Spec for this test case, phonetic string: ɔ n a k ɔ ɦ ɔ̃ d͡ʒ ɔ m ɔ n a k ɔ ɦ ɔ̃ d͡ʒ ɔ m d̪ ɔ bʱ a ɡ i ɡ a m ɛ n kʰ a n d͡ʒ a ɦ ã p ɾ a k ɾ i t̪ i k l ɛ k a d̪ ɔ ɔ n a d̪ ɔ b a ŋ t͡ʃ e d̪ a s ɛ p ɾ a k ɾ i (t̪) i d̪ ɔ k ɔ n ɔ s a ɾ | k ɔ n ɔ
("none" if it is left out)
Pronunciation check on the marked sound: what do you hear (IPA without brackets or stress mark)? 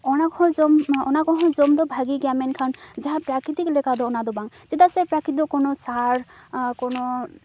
t̪